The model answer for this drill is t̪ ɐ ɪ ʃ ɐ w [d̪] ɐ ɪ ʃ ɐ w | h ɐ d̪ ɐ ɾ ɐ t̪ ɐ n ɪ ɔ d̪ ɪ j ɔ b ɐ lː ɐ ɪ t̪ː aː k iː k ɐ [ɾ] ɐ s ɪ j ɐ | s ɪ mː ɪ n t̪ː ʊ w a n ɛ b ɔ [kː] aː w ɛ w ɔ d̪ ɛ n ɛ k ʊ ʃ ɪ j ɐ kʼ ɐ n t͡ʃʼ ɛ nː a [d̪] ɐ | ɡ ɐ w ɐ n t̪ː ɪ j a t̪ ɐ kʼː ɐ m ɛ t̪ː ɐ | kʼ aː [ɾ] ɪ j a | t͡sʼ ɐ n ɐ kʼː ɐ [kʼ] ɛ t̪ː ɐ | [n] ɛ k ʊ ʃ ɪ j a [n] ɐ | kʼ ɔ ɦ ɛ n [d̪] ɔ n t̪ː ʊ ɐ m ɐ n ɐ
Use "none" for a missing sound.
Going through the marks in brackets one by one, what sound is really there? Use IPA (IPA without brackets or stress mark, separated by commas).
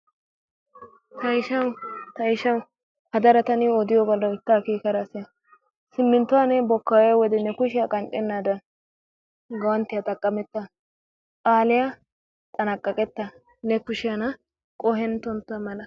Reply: t̪, ɾ, kː, d̪, l, kʼ, n, n, t̪